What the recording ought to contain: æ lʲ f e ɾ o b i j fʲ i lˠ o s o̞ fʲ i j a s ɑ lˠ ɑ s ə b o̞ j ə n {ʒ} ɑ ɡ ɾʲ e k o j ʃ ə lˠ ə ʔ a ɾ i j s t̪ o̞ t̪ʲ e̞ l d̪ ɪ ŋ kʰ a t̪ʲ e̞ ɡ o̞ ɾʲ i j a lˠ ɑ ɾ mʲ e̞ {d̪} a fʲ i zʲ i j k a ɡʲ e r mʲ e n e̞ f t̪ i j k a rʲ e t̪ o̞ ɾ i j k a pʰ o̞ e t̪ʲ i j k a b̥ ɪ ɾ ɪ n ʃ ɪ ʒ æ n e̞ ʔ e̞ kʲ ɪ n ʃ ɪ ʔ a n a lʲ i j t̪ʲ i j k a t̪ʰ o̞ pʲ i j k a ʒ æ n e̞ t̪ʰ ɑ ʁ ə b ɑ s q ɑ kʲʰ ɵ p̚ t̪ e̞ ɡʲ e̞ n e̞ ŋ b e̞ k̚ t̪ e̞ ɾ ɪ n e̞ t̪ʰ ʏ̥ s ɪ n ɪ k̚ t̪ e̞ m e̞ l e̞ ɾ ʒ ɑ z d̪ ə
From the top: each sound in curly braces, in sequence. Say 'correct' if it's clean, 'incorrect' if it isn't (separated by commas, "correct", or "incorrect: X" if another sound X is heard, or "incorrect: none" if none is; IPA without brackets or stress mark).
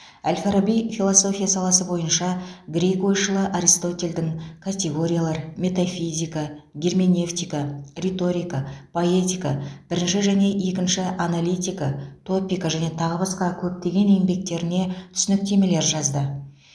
incorrect: ʃ, incorrect: t̪